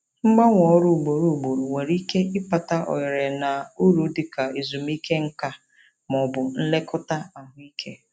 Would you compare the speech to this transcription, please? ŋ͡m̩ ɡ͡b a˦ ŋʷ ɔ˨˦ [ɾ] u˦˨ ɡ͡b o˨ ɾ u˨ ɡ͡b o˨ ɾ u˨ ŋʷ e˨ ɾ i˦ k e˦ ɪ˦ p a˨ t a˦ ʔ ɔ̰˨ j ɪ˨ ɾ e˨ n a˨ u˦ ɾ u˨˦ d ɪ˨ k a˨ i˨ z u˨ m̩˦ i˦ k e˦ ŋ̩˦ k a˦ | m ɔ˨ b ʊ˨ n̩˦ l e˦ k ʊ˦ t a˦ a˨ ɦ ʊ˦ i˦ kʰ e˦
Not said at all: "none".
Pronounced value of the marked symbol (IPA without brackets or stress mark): ɾ